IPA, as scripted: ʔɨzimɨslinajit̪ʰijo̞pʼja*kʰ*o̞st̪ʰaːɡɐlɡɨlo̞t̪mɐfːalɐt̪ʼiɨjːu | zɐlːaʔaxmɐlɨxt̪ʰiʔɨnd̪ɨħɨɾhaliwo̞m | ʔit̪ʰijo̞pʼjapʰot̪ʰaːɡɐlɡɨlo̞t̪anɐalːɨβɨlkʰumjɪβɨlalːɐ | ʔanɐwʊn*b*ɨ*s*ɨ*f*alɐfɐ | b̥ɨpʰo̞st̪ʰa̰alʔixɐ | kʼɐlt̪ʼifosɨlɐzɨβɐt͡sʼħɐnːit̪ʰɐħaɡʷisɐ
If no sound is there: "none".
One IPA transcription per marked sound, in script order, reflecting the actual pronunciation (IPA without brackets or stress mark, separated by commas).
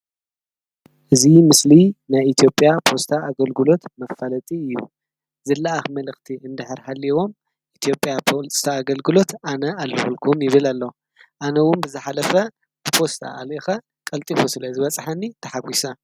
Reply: pʰ, b, z, ħ